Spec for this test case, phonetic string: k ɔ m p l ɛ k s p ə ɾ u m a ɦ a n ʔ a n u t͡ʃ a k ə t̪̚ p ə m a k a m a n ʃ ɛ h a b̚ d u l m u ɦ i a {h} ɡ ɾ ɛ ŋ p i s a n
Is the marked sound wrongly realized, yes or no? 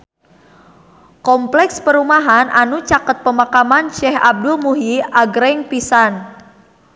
yes